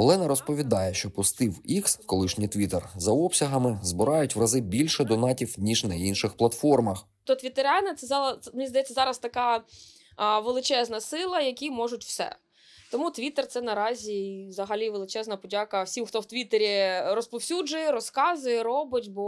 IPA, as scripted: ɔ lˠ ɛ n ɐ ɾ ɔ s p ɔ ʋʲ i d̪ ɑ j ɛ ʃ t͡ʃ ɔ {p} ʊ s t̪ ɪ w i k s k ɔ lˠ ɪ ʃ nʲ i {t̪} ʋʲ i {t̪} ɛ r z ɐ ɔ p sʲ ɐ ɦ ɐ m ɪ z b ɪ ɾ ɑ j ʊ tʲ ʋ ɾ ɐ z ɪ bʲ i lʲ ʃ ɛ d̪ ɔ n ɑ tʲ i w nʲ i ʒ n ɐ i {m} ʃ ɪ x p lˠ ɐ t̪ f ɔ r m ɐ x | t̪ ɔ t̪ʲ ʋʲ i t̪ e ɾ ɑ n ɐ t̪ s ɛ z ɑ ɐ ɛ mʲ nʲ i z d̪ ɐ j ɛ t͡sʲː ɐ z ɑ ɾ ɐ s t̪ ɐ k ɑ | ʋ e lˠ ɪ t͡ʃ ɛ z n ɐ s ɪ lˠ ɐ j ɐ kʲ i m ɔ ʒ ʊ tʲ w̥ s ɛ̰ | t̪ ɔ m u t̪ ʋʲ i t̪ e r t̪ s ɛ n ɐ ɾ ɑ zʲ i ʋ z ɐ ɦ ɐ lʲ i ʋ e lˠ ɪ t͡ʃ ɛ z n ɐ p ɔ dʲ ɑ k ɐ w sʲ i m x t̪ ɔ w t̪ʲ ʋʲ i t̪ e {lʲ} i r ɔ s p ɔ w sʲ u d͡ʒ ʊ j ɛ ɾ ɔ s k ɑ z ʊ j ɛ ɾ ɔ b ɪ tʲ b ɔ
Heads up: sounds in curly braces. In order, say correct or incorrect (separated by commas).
correct, correct, correct, incorrect, incorrect